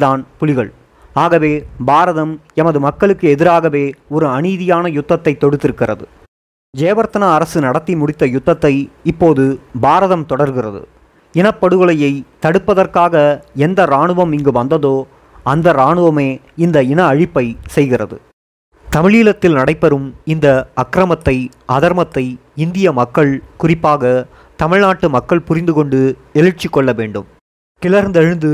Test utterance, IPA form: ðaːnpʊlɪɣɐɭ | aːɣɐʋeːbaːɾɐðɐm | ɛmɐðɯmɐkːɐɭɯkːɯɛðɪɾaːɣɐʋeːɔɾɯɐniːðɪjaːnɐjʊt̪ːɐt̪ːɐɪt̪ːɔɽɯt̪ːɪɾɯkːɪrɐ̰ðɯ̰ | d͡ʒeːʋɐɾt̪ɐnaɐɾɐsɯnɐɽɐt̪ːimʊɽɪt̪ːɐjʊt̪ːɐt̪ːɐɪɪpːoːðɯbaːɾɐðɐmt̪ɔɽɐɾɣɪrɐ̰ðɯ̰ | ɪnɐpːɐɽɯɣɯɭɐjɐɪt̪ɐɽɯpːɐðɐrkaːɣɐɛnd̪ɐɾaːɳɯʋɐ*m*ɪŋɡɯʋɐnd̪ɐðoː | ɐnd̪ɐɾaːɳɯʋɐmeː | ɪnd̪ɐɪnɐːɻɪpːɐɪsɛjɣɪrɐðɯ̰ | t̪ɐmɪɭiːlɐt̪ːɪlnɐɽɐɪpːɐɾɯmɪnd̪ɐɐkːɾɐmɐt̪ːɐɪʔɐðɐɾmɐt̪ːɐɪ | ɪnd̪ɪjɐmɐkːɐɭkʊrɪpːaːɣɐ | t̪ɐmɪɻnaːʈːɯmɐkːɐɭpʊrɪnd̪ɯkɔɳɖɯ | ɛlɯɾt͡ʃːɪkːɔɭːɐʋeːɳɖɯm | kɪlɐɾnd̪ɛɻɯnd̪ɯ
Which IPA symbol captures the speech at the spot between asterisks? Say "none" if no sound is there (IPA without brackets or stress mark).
m